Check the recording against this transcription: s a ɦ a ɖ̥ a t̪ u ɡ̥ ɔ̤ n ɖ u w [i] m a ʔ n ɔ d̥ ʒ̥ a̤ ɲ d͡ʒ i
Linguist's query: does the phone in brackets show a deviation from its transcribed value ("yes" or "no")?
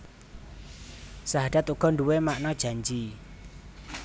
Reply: yes